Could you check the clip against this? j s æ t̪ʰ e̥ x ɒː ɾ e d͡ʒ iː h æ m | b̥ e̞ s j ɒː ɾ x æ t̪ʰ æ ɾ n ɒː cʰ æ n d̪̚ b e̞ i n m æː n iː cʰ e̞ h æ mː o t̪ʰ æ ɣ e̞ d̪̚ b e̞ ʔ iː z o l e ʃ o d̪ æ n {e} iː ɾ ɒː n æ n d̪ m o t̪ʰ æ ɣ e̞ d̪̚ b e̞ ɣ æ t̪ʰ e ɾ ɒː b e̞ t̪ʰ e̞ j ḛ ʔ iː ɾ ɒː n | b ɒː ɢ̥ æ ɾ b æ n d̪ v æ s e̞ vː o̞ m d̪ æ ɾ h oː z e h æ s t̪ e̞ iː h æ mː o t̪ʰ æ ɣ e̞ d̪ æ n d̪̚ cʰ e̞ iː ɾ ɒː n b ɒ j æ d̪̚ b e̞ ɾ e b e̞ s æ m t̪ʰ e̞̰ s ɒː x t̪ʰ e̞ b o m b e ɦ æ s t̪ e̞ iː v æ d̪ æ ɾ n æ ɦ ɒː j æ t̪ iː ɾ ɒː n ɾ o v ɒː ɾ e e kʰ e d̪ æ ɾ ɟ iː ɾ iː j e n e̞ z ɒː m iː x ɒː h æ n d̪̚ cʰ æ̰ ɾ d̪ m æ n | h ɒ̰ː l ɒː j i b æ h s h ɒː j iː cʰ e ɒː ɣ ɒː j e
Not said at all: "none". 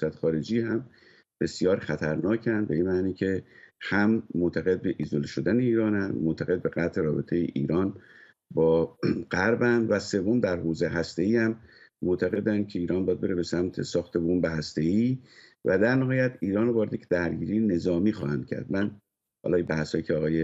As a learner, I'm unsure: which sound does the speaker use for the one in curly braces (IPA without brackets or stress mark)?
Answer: e